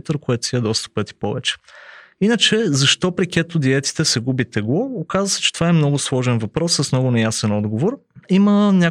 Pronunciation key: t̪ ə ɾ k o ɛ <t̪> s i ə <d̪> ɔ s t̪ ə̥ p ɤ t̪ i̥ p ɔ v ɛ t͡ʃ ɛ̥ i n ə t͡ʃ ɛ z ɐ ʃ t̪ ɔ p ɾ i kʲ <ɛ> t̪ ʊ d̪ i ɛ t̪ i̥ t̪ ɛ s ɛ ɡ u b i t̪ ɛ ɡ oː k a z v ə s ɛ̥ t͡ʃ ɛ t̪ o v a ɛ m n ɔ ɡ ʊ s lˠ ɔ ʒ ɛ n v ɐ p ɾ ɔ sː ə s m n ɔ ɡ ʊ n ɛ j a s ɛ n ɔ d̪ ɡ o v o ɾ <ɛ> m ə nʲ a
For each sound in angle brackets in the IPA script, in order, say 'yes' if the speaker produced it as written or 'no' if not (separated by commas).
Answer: yes, yes, yes, no